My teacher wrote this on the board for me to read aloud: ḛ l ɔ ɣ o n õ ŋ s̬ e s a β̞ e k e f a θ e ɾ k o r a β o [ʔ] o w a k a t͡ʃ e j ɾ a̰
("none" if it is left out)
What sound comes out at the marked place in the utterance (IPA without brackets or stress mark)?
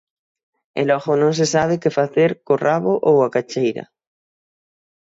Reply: ʔ